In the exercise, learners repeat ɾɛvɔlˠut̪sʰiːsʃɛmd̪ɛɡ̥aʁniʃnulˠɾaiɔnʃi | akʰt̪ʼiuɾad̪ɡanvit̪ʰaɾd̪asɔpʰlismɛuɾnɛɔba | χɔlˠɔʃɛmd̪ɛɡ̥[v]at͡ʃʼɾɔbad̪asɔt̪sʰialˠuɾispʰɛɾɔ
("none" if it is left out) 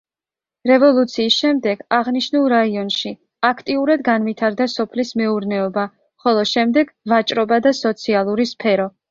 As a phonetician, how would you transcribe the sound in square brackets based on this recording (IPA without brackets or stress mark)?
v